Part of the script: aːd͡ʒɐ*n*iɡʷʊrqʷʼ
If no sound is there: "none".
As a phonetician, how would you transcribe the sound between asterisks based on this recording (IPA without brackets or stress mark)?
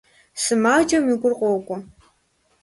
m